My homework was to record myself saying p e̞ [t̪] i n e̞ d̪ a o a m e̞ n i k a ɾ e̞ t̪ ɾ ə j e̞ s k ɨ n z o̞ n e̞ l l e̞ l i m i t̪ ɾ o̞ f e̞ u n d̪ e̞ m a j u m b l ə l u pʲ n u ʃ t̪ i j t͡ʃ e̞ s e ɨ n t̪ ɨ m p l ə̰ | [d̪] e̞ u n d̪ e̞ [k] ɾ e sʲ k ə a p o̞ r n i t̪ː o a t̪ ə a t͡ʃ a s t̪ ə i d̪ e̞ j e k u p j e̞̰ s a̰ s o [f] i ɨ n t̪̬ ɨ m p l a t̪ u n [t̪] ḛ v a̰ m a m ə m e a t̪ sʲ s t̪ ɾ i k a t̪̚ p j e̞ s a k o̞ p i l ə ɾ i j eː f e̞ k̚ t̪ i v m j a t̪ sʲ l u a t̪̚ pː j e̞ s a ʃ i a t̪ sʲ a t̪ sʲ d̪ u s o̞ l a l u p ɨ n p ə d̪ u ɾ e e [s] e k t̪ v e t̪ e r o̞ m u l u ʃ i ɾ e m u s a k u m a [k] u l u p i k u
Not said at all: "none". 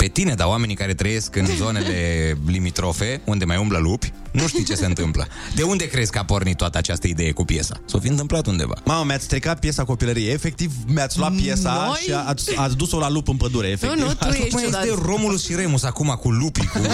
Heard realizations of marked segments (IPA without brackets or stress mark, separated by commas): t̪, d̪, k, f, d̪, f, k